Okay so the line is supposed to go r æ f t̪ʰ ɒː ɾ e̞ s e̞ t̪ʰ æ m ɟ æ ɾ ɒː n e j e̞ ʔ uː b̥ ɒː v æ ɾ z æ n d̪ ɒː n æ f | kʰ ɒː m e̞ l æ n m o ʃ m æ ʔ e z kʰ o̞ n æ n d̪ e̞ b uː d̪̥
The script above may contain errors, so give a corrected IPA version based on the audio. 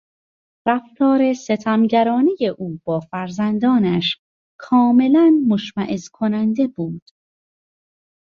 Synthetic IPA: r æ f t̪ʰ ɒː ɾ e̞ s e̞ t̪ʰ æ m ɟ æ ɾ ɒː n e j e̞ ʔ uː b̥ ɒː f æ ɾ z æ n d̪ ɒː n æ ʃ | kʰ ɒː m e̞ l æ n m o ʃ m æ ʔ e z kʰ o̞ n æ n d̪ e̞ b uː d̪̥